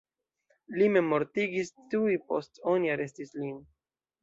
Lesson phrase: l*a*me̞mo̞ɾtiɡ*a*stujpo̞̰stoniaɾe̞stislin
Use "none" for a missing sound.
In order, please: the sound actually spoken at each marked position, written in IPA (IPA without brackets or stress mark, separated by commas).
i, i